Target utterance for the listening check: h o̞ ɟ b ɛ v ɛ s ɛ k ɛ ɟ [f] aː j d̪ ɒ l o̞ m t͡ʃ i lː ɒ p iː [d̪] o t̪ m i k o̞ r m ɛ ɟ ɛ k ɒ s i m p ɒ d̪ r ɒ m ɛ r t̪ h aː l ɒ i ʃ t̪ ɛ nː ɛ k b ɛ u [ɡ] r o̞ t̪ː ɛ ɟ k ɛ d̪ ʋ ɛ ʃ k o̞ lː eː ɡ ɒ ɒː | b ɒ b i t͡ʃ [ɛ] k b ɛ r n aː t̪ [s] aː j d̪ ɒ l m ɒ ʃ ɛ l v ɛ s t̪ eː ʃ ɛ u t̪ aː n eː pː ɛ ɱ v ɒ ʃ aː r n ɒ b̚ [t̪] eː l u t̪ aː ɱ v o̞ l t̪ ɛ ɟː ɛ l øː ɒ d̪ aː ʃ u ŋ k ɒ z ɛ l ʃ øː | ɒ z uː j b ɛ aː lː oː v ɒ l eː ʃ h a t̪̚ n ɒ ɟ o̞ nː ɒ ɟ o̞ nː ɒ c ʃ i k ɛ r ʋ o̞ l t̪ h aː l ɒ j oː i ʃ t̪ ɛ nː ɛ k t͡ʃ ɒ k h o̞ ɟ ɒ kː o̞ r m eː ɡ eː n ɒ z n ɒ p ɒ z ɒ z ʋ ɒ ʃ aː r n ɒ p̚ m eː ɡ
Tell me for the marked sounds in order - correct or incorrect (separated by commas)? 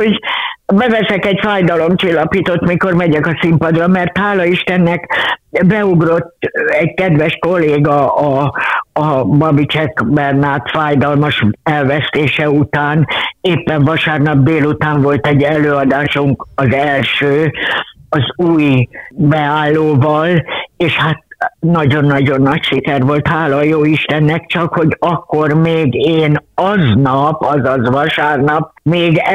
correct, incorrect, correct, correct, incorrect, incorrect